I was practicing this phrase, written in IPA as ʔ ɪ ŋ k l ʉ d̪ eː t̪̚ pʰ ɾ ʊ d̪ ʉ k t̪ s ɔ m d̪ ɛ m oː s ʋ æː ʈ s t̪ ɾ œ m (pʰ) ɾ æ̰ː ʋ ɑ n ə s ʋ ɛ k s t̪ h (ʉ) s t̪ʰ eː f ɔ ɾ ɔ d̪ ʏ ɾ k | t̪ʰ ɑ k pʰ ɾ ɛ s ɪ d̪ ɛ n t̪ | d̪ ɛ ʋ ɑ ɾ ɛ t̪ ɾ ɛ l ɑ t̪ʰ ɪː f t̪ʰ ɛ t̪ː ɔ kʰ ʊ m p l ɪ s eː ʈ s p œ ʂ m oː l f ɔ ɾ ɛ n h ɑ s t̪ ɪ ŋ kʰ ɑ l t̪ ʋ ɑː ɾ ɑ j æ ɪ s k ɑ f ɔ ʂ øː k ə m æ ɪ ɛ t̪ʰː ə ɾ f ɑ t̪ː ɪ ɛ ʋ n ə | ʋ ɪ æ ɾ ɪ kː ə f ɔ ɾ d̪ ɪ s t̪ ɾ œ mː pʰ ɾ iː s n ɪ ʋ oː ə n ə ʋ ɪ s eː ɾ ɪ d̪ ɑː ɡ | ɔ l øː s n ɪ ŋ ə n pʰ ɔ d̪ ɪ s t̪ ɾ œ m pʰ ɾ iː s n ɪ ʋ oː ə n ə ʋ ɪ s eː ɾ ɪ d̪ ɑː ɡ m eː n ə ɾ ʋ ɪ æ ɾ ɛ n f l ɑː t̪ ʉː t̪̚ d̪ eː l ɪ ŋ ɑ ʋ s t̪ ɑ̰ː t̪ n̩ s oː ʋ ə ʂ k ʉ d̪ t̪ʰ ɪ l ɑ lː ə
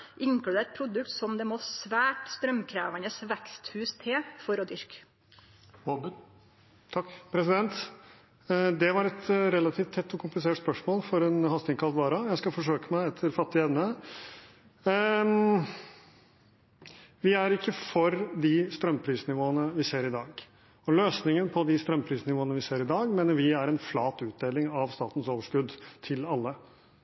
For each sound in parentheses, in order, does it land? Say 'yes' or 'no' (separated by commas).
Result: no, no